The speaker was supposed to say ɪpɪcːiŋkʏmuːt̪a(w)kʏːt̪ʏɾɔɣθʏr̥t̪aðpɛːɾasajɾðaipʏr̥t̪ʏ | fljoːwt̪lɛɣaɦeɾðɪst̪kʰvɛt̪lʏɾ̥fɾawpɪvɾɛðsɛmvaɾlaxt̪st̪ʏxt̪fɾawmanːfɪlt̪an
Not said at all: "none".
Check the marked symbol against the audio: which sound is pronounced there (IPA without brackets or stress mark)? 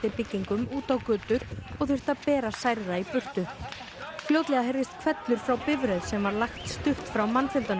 w